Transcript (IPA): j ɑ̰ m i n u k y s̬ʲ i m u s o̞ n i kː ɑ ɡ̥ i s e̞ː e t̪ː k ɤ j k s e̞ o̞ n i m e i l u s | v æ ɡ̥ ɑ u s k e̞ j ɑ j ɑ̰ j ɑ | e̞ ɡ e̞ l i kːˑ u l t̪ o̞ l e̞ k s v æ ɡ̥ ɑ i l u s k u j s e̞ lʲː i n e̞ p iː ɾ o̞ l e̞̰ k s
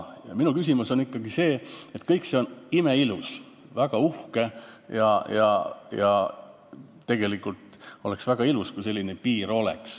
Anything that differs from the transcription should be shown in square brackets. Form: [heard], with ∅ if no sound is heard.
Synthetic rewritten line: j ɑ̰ m i n u k y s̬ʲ i m u s o̞ n i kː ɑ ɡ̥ i s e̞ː e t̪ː k ɤ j k s e̞ o̞ n i m e i l u s | v æ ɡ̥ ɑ u [h] k e̞ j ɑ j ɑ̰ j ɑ | e̞ ɡ e̞ l i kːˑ u l t̪ o̞ l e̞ k s v æ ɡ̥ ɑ i l u s k u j s e̞ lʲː i n e̞ p iː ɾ o̞ l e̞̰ k s